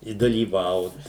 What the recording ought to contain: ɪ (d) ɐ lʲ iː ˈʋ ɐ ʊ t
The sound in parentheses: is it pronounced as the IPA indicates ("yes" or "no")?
yes